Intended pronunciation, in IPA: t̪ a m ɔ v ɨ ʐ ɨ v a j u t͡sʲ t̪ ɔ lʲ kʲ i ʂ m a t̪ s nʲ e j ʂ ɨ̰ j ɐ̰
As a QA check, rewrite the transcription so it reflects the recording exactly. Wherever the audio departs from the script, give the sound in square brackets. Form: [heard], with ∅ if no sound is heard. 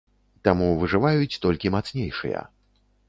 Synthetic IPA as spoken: t̪ a m [u] v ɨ ʐ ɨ v a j u t͡sʲ t̪ ɔ lʲ kʲ i [∅] m a t̪ s nʲ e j ʂ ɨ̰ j ɐ̰